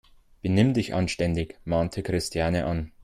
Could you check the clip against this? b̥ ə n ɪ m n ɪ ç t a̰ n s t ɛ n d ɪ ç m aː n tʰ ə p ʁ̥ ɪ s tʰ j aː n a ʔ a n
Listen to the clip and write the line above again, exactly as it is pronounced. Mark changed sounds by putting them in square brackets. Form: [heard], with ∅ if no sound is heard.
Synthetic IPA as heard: b̥ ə n ɪ m [d] ɪ ç [ʔ] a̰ n [ʃ] t ɛ n d ɪ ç m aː n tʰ ə [k] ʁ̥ ɪ s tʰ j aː n [ə] ʔ a n